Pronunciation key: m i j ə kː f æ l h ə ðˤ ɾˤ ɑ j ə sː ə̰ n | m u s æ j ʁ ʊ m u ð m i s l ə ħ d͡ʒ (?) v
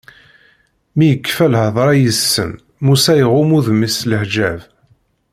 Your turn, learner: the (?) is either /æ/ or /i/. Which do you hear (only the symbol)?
æ